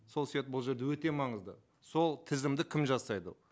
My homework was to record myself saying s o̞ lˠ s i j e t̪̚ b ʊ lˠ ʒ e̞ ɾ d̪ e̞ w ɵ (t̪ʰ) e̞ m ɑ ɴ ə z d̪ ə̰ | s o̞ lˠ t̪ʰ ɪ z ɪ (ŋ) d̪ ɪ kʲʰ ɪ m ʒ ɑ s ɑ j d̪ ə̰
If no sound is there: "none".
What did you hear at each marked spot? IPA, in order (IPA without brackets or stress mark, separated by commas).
t̪, m